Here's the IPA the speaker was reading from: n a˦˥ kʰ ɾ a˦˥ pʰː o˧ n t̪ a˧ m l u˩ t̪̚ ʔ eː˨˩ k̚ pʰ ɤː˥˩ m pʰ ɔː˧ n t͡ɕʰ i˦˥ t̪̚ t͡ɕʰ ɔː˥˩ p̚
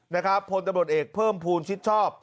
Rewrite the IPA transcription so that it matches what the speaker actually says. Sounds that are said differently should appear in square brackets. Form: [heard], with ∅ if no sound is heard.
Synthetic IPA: n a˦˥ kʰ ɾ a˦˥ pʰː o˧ n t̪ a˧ m [ɾ] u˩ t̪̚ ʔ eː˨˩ k̚ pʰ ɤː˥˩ m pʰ [uː˧] n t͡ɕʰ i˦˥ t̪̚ t͡ɕʰ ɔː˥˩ p̚